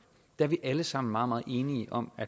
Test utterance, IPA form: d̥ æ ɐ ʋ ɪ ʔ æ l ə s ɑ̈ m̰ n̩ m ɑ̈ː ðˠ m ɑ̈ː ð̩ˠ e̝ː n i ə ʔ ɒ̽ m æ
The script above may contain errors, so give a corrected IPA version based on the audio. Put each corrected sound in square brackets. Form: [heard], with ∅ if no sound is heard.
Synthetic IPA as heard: d̥ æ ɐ ʋ [i] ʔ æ l ə s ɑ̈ m̰ n̩ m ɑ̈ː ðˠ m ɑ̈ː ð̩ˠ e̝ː n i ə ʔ ɒ̽ m æ